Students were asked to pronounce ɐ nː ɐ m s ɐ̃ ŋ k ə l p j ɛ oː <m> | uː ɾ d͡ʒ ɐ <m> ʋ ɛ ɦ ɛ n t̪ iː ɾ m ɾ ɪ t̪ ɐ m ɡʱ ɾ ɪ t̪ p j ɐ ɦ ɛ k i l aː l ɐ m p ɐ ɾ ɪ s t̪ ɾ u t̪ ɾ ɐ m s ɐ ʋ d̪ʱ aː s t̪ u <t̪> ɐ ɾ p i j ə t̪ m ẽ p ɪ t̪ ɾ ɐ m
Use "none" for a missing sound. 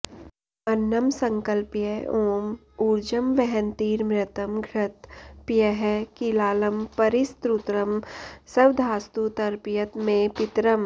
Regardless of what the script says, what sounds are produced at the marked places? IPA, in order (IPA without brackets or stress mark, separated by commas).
m, m, t̪